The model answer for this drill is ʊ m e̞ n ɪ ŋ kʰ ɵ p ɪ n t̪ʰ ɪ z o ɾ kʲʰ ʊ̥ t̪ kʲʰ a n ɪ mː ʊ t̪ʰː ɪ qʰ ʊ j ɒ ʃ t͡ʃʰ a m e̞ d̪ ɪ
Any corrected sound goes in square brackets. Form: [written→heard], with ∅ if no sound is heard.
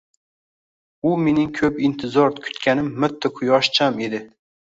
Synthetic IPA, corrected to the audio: ʊ m e̞ n ɪ ŋ kʰ ɵ p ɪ n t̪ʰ ɪ z [o→ɒ] ɾ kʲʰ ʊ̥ t̪ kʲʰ a n ɪ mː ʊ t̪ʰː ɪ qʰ ʊ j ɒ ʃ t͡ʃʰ a m e̞ d̪ ɪ